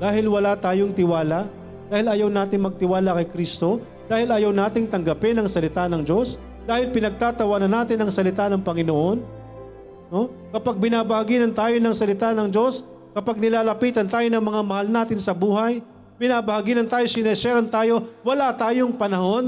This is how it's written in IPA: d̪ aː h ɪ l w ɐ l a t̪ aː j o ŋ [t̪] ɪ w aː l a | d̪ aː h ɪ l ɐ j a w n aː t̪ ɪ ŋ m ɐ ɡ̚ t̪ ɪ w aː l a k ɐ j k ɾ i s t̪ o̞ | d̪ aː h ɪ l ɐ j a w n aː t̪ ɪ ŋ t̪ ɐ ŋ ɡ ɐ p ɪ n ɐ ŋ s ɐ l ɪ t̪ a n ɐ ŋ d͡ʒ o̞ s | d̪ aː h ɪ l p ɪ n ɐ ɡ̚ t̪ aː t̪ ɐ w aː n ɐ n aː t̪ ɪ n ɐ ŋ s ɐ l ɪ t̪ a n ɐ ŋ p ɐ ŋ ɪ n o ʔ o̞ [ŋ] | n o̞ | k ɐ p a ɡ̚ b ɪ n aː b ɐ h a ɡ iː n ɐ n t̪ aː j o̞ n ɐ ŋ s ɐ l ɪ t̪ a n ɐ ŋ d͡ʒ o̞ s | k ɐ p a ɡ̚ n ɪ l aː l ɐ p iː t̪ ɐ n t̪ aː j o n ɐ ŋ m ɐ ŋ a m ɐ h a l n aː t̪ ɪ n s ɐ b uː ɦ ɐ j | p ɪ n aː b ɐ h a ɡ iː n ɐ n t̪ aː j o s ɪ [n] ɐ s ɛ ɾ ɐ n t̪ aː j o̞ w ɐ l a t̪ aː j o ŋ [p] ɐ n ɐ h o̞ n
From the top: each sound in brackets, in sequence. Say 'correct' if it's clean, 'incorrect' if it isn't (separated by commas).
correct, incorrect, correct, correct